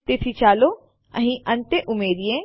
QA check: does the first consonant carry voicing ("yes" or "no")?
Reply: no